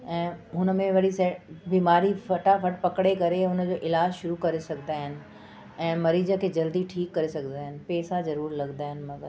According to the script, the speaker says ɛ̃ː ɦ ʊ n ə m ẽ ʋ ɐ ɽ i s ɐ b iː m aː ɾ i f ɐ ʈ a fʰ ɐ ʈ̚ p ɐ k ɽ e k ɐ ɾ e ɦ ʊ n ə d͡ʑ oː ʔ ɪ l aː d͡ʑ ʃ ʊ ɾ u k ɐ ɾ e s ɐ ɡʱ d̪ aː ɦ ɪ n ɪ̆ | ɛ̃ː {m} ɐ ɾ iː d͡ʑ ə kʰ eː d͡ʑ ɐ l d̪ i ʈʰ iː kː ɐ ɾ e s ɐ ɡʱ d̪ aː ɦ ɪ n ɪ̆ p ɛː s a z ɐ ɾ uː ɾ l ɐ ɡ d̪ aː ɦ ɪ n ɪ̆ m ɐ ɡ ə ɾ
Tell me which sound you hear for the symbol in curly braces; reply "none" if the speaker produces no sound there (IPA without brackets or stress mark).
m